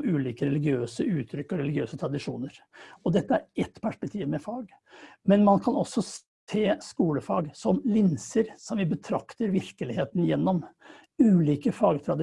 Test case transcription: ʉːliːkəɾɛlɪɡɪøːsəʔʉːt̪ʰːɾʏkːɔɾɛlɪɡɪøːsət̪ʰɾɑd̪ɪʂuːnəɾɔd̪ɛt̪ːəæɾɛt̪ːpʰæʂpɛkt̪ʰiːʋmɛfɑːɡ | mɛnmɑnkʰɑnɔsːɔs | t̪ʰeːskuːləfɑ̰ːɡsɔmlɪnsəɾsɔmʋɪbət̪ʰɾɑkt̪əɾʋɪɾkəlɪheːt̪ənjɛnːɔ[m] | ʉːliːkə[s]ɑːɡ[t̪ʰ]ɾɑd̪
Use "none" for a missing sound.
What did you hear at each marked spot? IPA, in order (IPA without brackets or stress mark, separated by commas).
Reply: m, f, t̪ʰ